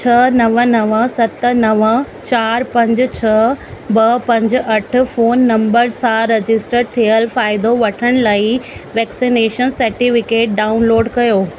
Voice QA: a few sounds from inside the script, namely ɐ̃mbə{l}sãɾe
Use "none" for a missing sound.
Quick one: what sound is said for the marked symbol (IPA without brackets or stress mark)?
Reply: ɾ